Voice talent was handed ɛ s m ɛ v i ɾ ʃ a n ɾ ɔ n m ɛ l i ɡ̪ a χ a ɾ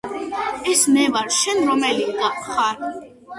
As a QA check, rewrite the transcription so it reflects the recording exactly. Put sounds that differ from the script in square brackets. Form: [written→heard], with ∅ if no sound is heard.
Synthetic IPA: ɛ s m ɛ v [i→a] ɾ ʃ [a→ɛ] n ɾ ɔ [n→∅] m ɛ l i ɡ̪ a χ a ɾ